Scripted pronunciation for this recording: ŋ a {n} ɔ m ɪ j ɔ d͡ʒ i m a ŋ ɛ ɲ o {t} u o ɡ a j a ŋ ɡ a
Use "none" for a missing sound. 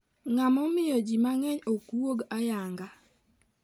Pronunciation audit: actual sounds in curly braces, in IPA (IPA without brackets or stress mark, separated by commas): m, k